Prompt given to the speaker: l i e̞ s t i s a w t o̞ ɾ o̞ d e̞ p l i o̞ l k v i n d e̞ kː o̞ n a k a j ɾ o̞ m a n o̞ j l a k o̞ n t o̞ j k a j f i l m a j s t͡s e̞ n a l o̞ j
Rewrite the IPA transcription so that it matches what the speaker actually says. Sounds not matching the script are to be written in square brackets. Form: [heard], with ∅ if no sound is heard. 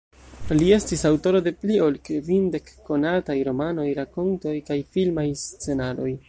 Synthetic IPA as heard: l i e̞ s t i s a w t o̞ ɾ o̞ d e̞ p l i o̞ l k v i n d e̞ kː o̞ n a [t] a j ɾ o̞ m a n o̞ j [ɾ] a k o̞ n t o̞ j k a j f i l m a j s t͡s e̞ n a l o̞ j